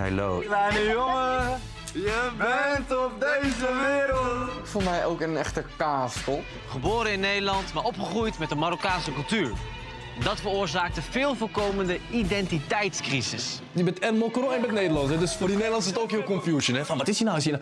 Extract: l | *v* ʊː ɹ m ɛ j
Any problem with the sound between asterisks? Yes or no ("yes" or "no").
yes